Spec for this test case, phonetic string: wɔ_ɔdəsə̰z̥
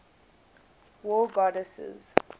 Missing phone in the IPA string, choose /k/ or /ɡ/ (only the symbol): ɡ